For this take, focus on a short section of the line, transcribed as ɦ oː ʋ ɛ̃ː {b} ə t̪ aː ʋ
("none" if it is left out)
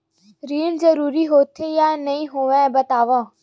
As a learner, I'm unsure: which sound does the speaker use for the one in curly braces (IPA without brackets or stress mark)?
b